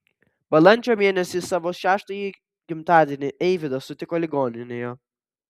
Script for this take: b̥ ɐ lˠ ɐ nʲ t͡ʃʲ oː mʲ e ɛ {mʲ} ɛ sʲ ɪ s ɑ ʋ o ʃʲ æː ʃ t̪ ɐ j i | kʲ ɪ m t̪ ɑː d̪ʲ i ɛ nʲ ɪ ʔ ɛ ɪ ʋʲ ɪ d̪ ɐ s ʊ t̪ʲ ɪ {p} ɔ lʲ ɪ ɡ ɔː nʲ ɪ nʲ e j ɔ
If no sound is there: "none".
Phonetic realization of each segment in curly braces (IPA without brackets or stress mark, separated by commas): nʲ, k